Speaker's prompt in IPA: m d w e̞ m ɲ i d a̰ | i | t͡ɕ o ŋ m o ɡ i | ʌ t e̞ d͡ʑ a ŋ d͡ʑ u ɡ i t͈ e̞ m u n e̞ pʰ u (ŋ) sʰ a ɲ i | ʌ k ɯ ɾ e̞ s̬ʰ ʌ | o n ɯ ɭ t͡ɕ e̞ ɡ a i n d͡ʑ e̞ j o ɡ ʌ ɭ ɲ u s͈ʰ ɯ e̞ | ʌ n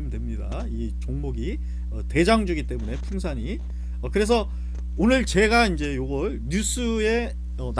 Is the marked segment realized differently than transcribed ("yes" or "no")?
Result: no